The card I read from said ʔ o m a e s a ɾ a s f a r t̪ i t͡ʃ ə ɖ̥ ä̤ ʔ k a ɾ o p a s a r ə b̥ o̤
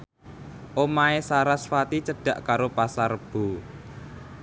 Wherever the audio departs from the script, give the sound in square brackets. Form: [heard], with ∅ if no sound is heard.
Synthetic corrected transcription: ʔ o m a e s a ɾ a s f a [∅] t̪ i t͡ʃ ə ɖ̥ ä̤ ʔ k a ɾ o p a s a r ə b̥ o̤

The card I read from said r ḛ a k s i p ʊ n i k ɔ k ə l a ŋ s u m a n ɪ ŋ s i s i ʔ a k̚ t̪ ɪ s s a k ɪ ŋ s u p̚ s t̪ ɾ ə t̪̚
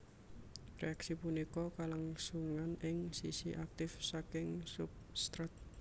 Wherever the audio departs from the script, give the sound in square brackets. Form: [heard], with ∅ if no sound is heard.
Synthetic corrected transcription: r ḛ a k s i p [u] n i k ɔ k [a] l a ŋ s u [ŋ] a n ɪ ŋ s i s i ʔ a k̚ t̪ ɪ [f] s a k ɪ ŋ s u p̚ s t̪ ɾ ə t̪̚

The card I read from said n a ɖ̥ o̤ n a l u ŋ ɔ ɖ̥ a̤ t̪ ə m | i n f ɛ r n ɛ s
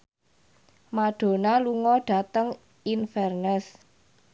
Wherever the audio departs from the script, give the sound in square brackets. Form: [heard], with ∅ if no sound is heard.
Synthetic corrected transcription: [m] a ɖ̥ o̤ n a l u ŋ ɔ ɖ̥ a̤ t̪ ə [ŋ] | i n f ɛ r n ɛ s

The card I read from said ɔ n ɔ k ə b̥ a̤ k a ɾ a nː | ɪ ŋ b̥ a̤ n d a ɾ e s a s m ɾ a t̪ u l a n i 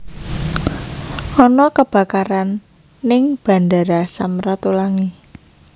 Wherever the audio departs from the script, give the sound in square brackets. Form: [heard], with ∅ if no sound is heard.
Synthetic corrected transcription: ɔ n ɔ k ə b̥ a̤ k a ɾ a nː | ɪ ŋ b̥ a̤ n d a ɾ [a] s a [∅] m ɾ a t̪ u l a [ŋ] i

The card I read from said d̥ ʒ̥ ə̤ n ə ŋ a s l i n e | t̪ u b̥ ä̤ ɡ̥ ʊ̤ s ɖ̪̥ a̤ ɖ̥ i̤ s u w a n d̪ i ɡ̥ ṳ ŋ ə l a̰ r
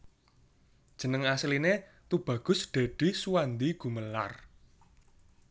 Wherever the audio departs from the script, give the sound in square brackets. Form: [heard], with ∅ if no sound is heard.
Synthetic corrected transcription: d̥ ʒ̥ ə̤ n ə ŋ a s l i n e | t̪ u b̥ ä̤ ɡ̥ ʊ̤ s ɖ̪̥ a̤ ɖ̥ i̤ s u w a n d̪ i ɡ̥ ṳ [m] ə l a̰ r

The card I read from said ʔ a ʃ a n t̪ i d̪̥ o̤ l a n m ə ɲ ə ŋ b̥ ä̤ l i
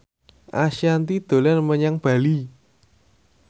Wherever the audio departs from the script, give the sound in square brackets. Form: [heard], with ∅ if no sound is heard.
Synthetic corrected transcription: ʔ a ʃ a n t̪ i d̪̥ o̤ l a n m ə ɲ [a] ŋ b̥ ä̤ l i

